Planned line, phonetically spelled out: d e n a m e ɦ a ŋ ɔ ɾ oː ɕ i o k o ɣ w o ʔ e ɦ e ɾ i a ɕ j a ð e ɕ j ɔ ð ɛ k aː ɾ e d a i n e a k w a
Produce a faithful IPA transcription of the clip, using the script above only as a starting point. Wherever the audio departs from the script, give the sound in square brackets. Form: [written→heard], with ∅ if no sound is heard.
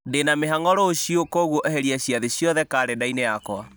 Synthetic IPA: d e n a m e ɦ a ŋ ɔ ɾ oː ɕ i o k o ɣ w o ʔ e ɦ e ɾ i a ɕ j a ð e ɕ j ɔ ð ɛ k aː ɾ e d a i n e a k w a